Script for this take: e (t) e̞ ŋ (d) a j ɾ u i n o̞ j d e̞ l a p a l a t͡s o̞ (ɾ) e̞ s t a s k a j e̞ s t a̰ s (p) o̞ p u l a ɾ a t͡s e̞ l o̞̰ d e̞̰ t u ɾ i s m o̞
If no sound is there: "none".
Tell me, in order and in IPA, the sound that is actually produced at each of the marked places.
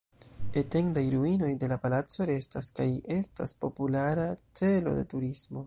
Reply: t, d, ɾ, p

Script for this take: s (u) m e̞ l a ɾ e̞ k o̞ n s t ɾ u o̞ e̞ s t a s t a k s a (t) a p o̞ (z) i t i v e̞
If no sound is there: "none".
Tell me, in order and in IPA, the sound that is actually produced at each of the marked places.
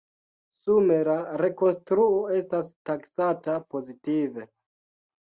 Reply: u, t, z

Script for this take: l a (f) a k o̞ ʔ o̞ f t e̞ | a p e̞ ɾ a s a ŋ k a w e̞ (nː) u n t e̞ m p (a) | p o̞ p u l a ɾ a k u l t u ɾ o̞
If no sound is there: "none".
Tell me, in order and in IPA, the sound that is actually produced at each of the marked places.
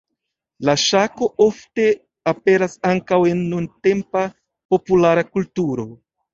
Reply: ʃ, nː, a

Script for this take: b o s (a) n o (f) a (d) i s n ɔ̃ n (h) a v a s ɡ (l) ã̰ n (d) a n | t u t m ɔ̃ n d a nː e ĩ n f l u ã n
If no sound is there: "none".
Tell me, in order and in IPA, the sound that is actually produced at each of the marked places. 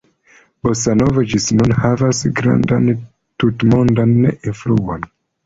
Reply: a, v, d͡ʒ, h, ɾ, d

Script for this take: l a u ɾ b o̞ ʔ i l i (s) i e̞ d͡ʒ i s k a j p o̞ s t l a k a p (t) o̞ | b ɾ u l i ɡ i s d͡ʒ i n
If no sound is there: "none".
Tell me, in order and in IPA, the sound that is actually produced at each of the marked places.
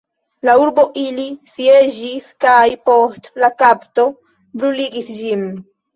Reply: s, t

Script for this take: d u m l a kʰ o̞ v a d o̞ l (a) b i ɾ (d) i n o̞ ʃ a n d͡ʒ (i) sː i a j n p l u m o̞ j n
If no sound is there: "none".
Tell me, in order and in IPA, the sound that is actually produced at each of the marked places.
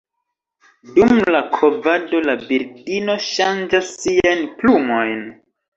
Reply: a, d, a

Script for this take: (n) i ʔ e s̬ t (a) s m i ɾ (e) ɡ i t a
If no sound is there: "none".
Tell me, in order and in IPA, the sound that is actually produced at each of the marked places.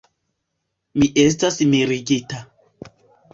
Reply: m, a, i

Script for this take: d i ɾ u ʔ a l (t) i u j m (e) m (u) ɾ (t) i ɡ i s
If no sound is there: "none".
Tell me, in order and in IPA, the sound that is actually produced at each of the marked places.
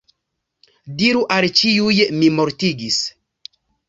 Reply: t͡ʃ, i, o, t

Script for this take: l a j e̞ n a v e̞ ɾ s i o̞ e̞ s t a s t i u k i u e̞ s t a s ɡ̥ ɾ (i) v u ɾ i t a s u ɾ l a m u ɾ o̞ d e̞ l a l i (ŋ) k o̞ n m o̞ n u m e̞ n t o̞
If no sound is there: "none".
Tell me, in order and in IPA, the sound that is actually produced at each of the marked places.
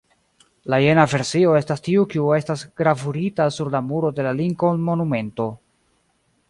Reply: a, ŋ

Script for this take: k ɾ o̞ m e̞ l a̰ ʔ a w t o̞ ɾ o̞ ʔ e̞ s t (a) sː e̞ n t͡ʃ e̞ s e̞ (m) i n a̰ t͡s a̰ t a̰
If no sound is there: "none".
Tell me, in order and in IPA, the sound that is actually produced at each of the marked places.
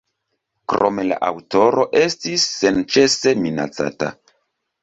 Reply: i, m

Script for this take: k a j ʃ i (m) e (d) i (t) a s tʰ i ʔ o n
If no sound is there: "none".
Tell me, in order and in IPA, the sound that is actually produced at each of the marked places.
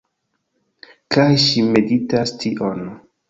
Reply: m, d, t

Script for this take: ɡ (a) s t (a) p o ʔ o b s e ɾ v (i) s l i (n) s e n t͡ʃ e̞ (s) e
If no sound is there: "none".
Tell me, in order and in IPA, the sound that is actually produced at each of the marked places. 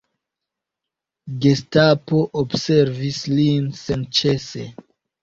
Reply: e, a, i, n, s

